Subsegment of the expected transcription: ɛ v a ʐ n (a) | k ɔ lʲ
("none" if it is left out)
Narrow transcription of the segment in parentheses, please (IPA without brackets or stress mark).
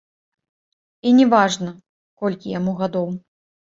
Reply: ɐ